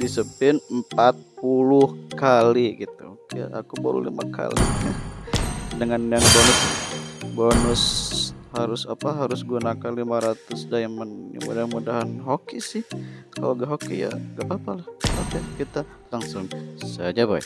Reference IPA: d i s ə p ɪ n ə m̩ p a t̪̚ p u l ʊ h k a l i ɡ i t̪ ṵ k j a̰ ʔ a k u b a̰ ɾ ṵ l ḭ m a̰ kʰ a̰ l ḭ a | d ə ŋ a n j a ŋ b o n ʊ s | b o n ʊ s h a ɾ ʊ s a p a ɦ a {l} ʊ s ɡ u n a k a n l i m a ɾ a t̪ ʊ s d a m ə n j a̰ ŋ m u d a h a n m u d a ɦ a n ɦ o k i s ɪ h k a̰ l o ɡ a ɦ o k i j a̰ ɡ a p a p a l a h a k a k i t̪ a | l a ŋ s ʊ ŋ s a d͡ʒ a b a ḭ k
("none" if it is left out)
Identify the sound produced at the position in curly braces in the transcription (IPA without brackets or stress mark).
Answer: ɾ